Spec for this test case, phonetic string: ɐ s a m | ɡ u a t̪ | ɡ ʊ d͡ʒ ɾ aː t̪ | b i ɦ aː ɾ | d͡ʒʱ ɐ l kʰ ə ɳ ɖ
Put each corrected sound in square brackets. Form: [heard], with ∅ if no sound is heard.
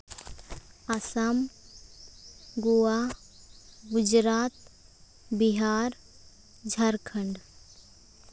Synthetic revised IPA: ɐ s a m | ɡ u a [∅] | ɡ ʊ d͡ʒ ɾ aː t̪ | b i ɦ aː ɾ | d͡ʒʱ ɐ [ɾ] kʰ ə ɳ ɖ